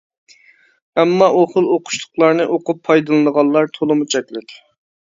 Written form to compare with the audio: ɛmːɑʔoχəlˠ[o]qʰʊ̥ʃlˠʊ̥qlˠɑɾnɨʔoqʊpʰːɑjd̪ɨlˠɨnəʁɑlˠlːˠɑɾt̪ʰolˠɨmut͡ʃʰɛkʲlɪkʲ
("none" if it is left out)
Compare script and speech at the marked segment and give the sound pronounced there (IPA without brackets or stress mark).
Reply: o